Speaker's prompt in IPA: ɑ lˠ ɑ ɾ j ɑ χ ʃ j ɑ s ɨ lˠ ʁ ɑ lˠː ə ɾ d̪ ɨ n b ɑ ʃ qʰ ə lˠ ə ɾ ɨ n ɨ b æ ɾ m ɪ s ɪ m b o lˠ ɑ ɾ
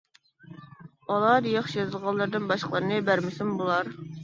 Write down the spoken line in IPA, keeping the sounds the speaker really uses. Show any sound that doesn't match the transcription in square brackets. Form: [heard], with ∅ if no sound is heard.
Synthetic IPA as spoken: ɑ lˠ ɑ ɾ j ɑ χ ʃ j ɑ [z] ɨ lˠ ʁ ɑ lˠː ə ɾ d̪ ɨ n b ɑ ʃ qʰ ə lˠ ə ɾ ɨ n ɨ b æ ɾ m ɪ s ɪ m b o lˠ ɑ ɾ